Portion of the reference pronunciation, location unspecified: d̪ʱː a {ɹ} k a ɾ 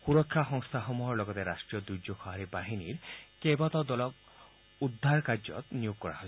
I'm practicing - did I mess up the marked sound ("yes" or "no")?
yes